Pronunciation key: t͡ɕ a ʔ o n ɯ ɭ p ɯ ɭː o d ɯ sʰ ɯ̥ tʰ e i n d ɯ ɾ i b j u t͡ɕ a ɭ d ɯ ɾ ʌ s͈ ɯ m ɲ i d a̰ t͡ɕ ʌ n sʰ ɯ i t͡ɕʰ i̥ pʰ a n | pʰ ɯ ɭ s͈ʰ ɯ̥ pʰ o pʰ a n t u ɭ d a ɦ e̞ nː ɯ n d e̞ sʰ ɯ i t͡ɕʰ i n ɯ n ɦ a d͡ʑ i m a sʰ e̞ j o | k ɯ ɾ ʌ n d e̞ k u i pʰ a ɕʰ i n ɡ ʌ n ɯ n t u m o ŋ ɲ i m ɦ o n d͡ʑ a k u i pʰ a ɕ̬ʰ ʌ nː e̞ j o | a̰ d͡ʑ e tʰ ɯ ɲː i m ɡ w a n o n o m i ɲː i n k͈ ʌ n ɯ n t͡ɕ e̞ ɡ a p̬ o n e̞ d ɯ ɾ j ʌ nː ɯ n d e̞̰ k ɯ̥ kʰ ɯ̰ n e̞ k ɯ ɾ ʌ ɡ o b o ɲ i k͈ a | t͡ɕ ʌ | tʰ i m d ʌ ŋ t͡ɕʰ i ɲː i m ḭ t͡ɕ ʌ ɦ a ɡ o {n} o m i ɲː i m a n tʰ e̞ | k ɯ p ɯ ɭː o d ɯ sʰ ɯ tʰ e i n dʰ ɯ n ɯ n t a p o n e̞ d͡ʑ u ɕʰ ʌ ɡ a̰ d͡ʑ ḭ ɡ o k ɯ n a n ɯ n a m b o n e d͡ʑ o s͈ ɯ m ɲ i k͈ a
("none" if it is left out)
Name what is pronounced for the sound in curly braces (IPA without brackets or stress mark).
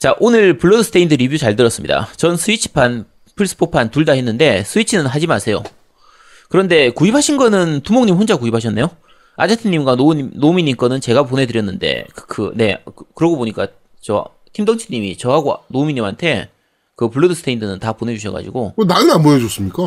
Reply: n